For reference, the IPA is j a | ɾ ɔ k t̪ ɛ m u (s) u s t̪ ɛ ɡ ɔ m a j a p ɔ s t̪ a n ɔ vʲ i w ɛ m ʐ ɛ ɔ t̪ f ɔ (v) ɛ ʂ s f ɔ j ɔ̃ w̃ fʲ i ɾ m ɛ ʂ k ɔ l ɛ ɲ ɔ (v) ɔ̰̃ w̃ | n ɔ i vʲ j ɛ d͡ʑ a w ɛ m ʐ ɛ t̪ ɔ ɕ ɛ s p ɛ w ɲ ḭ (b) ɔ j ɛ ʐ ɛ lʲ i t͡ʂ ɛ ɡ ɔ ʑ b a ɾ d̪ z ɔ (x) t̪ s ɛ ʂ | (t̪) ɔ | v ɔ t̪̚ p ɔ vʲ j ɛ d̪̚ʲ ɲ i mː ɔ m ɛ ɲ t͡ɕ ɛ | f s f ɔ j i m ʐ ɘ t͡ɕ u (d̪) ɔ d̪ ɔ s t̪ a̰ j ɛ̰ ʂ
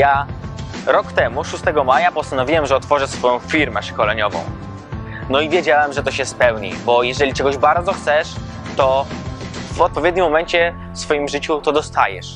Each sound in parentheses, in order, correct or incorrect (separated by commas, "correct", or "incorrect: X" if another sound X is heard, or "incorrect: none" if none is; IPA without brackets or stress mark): incorrect: ʂ, incorrect: ʐ, correct, correct, correct, correct, incorrect: t̪